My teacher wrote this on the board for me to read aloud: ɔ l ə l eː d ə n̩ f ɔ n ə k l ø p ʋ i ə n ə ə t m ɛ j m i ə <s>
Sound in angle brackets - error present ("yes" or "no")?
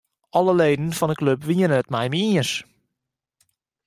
no